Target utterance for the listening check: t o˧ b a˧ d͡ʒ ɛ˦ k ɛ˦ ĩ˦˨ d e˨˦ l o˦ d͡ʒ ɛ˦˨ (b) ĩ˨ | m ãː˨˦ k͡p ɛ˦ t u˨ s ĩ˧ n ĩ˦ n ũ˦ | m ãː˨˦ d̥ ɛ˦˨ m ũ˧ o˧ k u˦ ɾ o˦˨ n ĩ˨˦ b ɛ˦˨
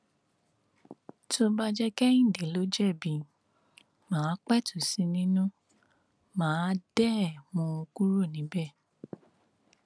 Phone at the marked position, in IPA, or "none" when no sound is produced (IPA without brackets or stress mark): b